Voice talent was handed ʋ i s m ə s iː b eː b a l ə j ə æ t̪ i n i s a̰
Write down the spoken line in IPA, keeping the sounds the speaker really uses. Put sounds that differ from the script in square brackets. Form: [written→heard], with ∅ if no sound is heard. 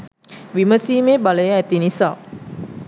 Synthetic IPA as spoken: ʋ i [s→∅] m ə s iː [b→m] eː b a l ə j ə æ t̪ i n i s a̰